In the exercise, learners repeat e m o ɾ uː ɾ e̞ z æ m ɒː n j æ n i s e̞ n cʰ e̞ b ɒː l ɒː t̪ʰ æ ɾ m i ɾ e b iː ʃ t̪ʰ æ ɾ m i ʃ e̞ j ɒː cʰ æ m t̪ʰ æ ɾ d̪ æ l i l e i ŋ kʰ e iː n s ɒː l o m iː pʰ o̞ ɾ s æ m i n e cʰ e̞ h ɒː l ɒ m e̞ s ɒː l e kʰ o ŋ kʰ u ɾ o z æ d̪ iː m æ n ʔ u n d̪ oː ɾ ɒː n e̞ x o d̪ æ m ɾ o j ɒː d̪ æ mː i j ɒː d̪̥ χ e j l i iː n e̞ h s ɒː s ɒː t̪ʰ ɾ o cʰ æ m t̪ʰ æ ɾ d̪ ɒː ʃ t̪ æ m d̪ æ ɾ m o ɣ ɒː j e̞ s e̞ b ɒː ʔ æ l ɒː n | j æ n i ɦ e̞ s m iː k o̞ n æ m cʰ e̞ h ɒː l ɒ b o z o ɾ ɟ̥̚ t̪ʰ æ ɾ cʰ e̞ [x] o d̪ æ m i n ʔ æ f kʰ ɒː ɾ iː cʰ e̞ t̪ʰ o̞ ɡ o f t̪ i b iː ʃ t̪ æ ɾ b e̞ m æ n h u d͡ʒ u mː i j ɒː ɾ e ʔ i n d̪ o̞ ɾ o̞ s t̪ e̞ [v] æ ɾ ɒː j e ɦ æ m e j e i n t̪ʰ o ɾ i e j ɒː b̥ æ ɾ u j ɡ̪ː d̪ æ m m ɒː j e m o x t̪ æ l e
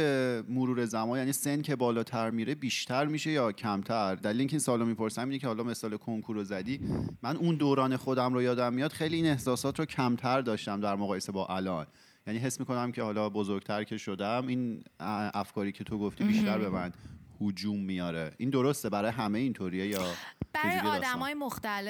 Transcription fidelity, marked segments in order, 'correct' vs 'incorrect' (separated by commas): incorrect, incorrect